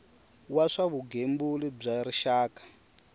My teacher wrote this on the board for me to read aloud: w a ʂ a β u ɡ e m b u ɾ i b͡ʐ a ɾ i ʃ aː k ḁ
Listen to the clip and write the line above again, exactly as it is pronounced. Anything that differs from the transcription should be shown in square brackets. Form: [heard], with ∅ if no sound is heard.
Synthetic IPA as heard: w a ʂ a β u ɡ e m b u [l] i b͡ʐ a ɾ i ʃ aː k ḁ